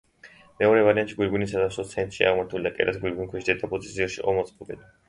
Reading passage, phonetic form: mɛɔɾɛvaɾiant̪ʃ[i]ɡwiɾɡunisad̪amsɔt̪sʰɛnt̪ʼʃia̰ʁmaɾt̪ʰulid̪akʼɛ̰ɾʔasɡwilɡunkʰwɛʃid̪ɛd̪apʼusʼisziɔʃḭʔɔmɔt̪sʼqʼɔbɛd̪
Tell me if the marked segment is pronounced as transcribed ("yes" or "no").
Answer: yes